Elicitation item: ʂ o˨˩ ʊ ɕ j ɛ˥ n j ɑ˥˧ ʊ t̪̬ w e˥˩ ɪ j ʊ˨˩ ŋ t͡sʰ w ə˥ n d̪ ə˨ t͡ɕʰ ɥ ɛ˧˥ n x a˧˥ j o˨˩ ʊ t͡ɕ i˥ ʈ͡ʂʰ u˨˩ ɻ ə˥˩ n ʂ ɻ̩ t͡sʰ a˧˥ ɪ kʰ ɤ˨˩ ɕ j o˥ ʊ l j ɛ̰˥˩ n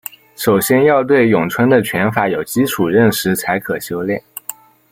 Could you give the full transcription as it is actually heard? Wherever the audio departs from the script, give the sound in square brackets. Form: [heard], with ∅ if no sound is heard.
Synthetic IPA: ʂ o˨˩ ʊ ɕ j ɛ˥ n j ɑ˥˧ ʊ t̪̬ w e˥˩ ɪ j ʊ˨˩ ŋ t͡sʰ w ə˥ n d̪ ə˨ t͡ɕʰ ɥ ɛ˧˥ n [f] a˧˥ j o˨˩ ʊ t͡ɕ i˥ ʈ͡ʂʰ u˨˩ ɻ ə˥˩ n ʂ ɻ̩ t͡sʰ a˧˥ ɪ kʰ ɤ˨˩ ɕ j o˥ ʊ l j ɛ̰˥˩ n